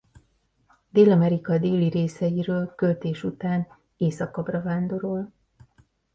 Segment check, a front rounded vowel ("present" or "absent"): present